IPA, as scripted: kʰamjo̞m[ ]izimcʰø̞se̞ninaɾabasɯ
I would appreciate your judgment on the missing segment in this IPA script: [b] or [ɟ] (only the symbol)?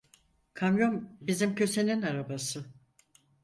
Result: b